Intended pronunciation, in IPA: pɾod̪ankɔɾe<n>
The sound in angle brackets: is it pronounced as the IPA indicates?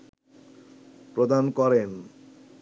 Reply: yes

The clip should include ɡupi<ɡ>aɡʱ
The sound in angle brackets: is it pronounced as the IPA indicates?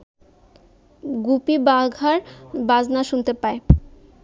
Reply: no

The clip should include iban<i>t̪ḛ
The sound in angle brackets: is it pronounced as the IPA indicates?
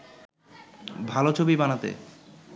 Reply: no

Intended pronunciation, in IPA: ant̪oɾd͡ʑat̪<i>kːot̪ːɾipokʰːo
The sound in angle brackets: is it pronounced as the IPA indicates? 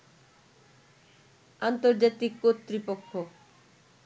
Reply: yes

